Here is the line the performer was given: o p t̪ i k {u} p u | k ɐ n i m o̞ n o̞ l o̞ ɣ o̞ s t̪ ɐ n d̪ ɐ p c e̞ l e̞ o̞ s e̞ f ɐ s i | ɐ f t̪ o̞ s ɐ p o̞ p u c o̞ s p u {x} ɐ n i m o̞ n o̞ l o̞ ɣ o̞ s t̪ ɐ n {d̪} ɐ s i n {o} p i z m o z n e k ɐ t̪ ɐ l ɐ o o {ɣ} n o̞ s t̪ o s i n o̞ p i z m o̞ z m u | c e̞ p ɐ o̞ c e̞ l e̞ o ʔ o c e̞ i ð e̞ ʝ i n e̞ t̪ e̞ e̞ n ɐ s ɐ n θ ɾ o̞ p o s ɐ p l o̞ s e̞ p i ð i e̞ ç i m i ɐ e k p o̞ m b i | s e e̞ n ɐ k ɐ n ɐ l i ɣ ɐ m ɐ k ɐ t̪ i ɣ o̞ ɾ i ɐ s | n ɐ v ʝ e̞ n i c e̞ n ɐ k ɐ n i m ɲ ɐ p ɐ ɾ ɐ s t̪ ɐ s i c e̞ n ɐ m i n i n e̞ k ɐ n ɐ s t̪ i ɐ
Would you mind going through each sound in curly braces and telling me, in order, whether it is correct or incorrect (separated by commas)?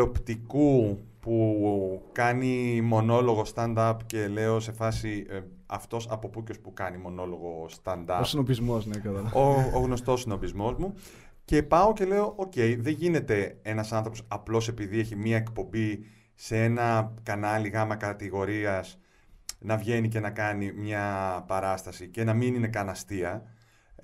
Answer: correct, incorrect, correct, correct, correct